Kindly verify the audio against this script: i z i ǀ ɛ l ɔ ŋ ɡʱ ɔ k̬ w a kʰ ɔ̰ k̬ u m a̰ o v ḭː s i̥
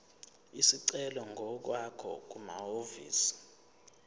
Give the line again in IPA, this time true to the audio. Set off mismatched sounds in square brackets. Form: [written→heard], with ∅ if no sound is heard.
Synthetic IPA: i [z→s] i ǀ ɛ l ɔ ŋ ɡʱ ɔ k̬ w a kʰ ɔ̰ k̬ u m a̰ o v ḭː s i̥